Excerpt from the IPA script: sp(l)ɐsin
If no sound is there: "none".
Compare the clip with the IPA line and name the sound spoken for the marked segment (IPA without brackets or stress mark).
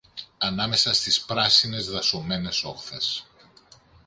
ɾ